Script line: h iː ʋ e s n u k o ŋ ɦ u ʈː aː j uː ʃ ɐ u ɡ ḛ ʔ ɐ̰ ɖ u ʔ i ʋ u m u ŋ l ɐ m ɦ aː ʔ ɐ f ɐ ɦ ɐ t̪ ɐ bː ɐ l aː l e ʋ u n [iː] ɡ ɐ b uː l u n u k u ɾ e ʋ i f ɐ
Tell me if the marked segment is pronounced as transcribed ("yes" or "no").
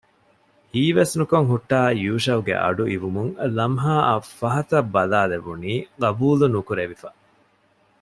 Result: yes